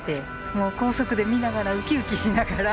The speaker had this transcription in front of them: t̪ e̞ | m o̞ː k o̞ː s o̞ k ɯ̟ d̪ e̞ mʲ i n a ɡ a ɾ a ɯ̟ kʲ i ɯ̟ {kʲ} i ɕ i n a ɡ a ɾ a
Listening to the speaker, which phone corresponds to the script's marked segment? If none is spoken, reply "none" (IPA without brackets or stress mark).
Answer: kʲ